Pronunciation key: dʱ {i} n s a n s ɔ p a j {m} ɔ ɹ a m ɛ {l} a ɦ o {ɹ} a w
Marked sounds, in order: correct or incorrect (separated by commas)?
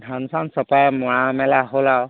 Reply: incorrect, correct, correct, incorrect